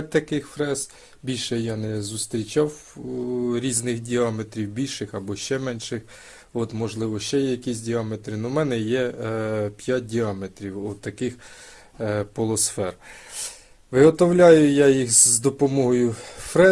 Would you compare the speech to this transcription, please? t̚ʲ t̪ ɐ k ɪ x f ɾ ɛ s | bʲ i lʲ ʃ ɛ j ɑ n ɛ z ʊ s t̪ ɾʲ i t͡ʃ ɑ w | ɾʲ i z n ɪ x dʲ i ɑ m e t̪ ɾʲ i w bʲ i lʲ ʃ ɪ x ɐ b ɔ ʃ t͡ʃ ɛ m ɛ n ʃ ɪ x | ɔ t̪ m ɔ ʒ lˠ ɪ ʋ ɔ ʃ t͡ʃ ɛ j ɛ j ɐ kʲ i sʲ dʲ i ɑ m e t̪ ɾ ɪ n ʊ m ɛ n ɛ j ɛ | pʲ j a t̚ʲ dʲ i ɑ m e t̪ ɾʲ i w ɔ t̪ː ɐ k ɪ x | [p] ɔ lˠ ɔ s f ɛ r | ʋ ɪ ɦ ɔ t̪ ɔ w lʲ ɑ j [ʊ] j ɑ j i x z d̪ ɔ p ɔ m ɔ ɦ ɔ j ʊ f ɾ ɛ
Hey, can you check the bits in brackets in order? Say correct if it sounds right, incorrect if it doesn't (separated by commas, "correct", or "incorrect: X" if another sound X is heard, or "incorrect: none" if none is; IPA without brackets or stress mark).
correct, correct